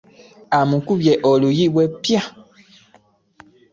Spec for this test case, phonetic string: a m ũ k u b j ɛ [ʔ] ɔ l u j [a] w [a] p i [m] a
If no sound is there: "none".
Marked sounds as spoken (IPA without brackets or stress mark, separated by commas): ʔ, i, ɛ, none